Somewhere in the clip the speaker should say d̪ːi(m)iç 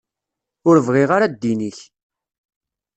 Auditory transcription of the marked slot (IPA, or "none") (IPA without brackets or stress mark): n